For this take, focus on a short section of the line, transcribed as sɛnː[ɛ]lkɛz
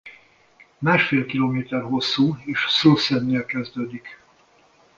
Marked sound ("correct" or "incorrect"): incorrect